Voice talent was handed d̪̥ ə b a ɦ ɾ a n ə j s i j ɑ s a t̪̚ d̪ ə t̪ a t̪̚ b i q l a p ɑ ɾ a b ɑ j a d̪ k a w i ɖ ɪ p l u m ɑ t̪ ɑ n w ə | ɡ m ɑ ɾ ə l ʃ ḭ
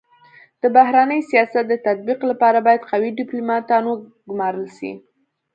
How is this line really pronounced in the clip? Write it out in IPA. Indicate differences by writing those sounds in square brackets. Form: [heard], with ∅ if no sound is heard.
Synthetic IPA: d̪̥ ə b a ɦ ɾ a n ə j s i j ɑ s a t̪̚ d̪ ə t̪ a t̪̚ b i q l a p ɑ ɾ a b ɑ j a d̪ [q] a w i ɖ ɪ p l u m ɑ t̪ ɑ n w ə | ɡ m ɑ ɾ ə l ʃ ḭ